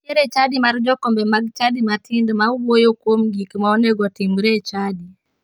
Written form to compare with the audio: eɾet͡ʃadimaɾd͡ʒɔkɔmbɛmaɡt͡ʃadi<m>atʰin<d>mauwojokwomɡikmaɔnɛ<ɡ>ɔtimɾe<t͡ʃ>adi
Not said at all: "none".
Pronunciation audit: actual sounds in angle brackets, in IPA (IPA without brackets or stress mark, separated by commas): m, d, ɡ, t͡ʃ